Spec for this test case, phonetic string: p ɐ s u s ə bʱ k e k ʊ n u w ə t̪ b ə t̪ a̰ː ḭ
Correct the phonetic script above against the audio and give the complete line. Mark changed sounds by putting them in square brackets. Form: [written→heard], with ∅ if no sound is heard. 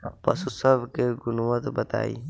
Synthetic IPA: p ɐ s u s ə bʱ k e [k→ɡ] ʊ n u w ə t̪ b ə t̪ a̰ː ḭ